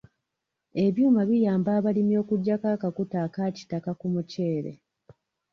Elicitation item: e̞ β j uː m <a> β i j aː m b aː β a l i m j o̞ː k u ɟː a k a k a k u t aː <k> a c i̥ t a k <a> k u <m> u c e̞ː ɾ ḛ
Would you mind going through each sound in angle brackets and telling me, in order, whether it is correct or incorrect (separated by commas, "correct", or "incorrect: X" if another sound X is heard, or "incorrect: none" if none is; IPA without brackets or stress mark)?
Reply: correct, correct, correct, correct